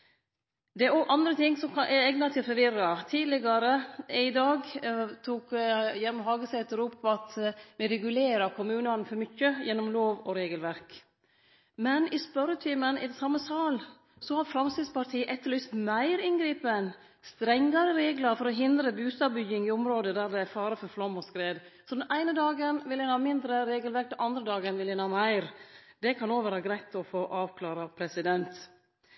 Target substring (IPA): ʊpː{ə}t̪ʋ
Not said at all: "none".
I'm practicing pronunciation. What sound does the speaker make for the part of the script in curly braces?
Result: ɑ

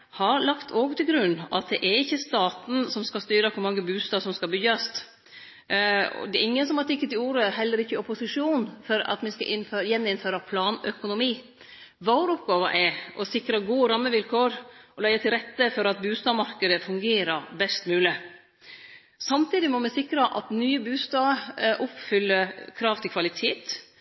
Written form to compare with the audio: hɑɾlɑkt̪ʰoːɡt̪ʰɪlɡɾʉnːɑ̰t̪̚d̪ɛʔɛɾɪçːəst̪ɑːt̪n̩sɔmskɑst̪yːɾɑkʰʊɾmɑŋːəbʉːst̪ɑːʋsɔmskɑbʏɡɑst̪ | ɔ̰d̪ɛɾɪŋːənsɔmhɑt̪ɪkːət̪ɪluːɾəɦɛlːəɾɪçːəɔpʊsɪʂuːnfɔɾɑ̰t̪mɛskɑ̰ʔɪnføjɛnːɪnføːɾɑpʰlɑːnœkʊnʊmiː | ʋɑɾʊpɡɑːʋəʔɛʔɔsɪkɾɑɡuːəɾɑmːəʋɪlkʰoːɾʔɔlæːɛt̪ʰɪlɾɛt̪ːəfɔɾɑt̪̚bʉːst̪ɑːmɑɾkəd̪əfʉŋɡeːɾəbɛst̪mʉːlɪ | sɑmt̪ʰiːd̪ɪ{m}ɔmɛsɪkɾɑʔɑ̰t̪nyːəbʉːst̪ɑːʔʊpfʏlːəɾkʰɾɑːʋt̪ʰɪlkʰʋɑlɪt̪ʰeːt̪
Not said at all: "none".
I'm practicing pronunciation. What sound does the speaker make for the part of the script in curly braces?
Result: m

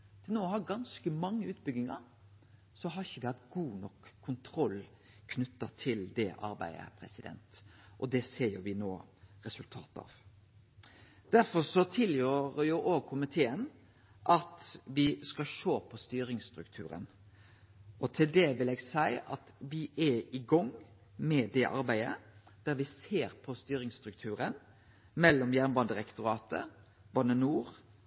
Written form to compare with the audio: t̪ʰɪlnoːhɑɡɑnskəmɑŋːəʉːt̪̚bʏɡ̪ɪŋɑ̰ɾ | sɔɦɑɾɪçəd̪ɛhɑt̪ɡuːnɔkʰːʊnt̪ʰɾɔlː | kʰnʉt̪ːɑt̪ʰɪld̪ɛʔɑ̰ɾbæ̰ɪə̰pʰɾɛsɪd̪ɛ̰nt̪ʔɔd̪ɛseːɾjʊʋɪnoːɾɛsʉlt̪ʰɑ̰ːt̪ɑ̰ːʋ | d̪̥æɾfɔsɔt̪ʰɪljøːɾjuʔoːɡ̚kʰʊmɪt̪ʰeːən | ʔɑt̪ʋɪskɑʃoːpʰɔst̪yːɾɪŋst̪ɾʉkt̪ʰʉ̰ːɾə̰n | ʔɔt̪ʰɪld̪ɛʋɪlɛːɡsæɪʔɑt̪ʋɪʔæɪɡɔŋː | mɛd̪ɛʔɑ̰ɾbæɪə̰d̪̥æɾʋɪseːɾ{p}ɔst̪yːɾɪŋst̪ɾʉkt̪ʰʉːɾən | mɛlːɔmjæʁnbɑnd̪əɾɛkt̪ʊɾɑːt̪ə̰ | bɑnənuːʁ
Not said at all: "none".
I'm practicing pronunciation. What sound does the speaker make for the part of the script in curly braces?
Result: pʰ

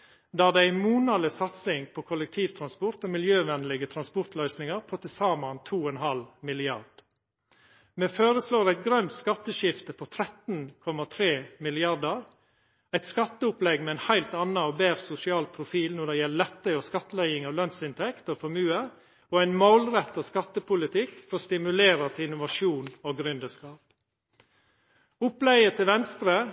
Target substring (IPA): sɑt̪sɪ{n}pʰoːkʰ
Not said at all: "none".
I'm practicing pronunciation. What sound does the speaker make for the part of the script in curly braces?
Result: ŋ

